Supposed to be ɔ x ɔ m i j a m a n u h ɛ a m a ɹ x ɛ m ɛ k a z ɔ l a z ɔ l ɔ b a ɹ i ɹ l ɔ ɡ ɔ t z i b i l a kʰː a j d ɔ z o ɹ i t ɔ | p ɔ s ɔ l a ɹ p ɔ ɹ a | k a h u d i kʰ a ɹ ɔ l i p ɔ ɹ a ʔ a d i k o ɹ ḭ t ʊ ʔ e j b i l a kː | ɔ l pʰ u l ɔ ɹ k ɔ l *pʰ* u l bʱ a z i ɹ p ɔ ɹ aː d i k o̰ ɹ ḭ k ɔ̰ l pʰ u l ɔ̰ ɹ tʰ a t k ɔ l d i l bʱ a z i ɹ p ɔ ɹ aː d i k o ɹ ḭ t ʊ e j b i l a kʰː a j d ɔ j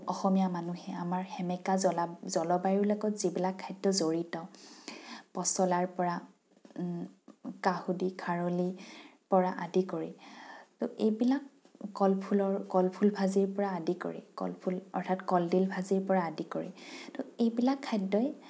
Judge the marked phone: correct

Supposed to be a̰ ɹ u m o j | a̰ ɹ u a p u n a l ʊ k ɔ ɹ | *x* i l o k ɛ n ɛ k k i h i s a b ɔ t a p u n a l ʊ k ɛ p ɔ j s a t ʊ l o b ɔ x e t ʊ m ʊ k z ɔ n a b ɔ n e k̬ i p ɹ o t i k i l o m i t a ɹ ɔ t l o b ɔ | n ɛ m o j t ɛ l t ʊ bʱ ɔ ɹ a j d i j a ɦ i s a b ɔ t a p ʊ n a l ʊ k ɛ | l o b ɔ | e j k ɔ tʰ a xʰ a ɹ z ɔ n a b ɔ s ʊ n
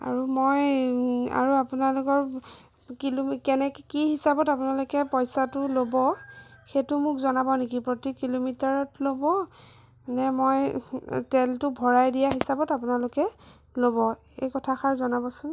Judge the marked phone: incorrect: k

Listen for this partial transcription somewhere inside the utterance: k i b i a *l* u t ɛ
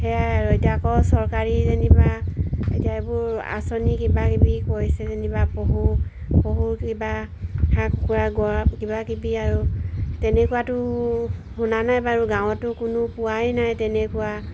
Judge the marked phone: incorrect: ɹ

